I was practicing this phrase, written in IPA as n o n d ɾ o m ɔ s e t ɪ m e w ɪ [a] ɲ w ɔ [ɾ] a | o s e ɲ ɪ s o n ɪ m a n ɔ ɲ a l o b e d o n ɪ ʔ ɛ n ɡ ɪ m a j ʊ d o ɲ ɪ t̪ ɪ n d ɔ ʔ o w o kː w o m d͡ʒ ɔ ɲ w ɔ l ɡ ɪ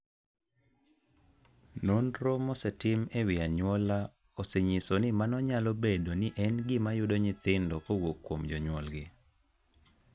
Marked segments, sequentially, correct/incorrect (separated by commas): correct, incorrect